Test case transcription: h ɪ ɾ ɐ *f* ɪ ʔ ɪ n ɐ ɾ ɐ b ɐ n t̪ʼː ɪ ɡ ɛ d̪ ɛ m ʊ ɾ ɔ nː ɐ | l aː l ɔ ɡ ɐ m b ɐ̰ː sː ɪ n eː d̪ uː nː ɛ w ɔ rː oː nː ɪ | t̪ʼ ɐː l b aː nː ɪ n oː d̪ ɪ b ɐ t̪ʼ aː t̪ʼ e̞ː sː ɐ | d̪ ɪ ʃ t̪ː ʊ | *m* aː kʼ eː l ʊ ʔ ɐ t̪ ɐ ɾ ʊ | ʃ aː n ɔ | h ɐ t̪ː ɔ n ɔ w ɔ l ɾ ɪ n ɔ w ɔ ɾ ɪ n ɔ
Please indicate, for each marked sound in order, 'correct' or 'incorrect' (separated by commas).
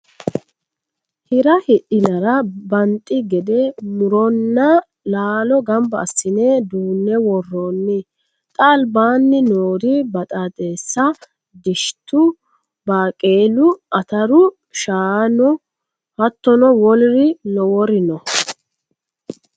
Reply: incorrect, incorrect